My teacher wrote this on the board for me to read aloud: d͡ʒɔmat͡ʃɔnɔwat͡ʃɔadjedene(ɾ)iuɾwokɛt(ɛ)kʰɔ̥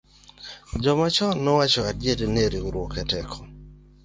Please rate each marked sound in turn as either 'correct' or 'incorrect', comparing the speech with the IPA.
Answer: correct, correct

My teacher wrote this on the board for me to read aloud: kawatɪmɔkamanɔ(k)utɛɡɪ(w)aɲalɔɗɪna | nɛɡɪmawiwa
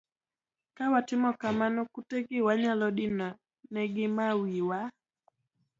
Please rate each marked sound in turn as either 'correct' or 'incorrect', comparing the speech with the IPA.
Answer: correct, correct

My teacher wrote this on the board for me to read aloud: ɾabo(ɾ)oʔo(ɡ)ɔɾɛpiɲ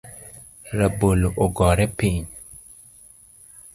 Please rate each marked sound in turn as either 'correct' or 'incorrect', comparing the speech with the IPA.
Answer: incorrect: l, correct

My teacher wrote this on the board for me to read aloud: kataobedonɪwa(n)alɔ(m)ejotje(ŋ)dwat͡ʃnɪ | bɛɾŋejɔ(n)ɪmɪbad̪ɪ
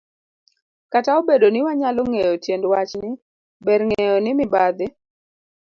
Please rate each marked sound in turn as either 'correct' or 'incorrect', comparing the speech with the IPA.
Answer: incorrect: ɲ, incorrect: ŋ, incorrect: n, correct

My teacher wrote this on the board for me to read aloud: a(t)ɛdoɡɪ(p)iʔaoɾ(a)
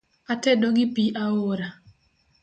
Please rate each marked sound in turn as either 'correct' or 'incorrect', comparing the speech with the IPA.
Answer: correct, correct, correct

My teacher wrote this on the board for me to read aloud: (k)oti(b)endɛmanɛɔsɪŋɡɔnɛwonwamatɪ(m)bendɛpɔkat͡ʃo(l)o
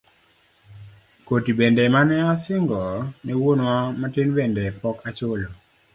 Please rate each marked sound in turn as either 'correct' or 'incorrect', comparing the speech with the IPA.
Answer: correct, correct, incorrect: n, correct

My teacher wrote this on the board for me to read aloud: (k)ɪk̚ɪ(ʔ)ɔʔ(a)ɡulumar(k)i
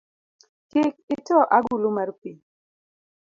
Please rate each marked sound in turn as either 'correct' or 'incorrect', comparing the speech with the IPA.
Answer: correct, incorrect: t, correct, incorrect: p

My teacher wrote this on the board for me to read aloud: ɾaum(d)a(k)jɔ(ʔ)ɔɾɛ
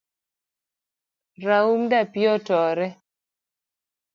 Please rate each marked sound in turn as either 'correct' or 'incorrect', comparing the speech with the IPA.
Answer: correct, incorrect: p, incorrect: t

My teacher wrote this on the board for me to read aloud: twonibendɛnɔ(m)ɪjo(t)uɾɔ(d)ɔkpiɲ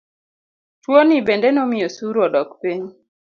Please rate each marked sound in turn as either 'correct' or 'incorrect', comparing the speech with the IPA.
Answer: correct, incorrect: s, correct

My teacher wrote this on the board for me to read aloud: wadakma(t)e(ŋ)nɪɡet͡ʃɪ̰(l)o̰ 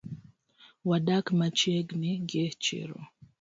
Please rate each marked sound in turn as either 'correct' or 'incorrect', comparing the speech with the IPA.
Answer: incorrect: t͡ʃ, incorrect: ɡ, incorrect: ɾ

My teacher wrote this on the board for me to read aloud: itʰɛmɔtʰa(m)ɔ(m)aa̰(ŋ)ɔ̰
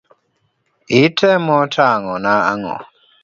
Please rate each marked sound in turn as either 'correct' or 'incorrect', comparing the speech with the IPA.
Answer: incorrect: ŋ, incorrect: n, correct

